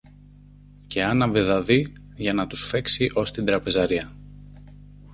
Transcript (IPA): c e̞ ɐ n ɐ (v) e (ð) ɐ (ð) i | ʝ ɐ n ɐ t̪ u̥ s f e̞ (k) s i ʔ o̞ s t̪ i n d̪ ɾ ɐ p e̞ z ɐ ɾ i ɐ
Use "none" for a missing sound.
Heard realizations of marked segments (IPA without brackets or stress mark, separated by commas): v, ð, ð, k